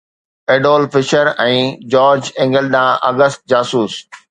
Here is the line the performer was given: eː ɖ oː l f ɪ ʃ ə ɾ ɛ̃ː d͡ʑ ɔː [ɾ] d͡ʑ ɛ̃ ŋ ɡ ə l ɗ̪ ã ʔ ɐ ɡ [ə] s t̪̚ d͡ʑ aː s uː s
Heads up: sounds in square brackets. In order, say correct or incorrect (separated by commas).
correct, correct